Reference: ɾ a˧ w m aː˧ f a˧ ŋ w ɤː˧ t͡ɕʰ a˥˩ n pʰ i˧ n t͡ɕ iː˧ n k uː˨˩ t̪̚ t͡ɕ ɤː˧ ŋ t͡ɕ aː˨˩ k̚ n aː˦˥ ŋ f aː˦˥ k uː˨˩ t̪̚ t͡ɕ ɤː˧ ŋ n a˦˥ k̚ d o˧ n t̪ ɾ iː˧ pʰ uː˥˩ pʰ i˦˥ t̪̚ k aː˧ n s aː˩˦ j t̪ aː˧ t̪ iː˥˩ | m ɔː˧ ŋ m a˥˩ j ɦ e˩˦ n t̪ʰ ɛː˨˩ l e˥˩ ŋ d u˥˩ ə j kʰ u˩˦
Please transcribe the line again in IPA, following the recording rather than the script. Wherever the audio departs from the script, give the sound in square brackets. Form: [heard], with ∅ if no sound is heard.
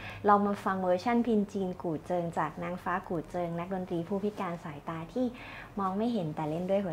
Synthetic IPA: ɾ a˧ w m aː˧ f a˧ ŋ w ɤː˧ t͡ɕʰ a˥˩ n pʰ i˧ n t͡ɕ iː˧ n k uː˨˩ t̪̚ t͡ɕ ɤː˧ ŋ t͡ɕ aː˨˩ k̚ n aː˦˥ ŋ f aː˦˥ k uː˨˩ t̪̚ t͡ɕ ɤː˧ ŋ n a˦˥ k̚ d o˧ n t̪ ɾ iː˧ pʰ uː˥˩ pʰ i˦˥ t̪̚ k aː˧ n s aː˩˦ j t̪ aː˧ [t̪ʰ] iː˥˩ | m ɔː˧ ŋ m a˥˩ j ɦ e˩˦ n [t̪] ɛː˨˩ l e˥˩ [n] d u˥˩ ə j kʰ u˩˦